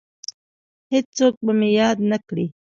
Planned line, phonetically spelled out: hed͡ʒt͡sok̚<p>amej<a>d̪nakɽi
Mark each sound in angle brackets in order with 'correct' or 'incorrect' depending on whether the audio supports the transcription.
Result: incorrect: b, incorrect: ɑ

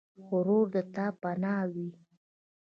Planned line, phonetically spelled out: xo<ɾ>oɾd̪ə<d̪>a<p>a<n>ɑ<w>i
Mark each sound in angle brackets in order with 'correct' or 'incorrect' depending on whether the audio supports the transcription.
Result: correct, incorrect: t̪, correct, correct, correct

